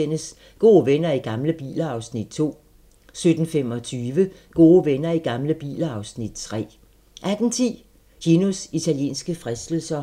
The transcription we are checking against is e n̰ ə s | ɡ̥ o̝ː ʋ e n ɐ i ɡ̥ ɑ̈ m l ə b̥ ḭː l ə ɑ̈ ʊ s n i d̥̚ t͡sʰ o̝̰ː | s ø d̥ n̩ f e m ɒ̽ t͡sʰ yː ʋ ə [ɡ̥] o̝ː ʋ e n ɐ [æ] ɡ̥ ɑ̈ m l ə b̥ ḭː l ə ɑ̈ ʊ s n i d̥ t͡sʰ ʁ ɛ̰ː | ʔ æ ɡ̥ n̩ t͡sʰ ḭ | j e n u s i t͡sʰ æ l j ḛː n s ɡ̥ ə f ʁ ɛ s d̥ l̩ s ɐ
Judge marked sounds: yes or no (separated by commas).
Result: yes, no